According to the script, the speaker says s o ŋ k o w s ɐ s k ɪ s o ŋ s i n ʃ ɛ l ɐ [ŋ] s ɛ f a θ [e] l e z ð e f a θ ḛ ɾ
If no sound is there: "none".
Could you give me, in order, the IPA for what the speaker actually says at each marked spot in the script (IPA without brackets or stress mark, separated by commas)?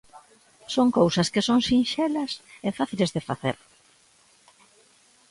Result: none, i